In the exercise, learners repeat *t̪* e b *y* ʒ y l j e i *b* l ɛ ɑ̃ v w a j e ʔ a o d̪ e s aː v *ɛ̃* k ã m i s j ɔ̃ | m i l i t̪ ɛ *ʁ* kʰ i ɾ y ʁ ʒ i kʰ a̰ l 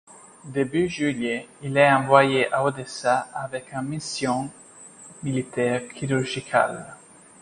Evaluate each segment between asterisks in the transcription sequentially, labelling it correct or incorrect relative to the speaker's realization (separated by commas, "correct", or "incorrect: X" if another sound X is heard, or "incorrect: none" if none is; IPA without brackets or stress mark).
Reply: incorrect: d̪, correct, incorrect: none, incorrect: ɛ, correct